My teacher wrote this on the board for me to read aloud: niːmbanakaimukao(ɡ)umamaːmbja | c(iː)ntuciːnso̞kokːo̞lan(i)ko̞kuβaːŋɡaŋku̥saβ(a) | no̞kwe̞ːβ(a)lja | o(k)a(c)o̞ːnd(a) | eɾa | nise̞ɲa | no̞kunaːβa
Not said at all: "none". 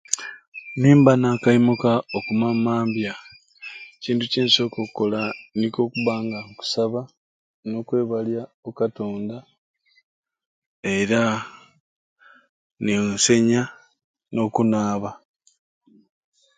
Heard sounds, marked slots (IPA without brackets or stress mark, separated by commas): k, iː, i, a, a, k, t, a